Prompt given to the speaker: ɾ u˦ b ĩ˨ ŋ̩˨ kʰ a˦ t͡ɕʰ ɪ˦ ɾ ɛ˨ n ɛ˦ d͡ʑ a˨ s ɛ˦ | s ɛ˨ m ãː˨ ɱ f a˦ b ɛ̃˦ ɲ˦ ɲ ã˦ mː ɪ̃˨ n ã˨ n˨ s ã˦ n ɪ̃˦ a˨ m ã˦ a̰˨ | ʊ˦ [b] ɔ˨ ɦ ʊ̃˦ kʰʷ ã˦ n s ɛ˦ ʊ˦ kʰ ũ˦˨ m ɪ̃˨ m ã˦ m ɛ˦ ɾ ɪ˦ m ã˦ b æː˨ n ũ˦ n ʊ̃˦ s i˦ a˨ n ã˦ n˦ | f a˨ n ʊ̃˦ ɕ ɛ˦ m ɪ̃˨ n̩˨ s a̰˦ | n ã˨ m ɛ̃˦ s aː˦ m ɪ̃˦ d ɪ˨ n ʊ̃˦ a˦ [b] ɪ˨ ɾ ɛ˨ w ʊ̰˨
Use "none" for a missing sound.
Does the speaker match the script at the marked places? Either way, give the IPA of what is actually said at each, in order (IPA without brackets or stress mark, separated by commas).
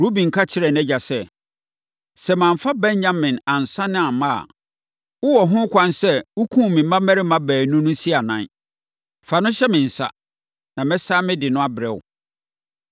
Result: w, b